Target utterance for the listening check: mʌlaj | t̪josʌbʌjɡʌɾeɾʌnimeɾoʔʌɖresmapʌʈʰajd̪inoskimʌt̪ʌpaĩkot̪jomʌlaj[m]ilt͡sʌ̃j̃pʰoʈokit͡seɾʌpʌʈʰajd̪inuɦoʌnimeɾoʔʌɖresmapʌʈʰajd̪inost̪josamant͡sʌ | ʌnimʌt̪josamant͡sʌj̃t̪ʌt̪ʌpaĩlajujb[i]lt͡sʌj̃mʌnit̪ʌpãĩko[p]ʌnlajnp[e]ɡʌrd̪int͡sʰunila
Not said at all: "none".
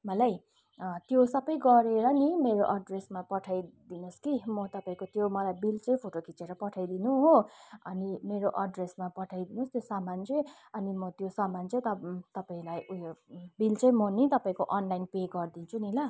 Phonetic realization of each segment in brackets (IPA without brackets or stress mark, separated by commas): b, i, ʔ, e